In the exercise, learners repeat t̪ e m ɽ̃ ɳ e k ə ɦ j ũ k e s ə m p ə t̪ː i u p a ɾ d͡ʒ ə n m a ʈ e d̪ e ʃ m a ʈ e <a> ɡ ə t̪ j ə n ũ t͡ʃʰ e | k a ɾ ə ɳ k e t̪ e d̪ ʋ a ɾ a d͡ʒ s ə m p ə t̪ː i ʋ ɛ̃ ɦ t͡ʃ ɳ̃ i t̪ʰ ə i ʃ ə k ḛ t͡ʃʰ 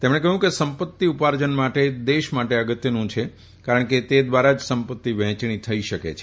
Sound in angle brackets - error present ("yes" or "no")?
yes